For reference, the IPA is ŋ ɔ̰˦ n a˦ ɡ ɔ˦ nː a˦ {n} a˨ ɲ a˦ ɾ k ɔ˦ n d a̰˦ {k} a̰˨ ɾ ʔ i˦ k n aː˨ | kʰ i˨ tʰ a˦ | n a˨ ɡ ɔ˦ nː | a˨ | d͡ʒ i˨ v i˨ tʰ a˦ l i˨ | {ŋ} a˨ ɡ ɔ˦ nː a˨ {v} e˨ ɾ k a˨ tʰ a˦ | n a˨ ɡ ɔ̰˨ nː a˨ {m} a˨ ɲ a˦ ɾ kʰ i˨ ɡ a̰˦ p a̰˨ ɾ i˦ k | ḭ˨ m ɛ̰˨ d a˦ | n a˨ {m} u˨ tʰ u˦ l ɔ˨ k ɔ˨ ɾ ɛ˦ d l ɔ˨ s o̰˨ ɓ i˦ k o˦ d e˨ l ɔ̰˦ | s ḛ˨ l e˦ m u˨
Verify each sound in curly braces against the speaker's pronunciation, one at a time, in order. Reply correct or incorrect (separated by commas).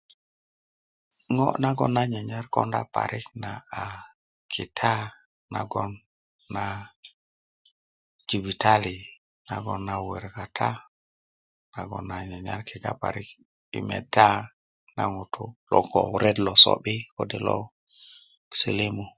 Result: incorrect, incorrect, incorrect, incorrect, incorrect, incorrect